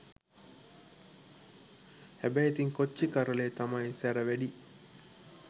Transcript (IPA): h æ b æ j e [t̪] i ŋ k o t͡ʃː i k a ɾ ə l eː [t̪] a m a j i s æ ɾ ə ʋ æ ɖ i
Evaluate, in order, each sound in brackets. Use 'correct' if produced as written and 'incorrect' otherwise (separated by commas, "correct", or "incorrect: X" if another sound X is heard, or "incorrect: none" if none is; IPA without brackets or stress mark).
correct, correct